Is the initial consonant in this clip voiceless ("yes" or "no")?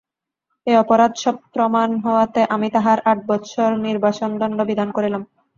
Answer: yes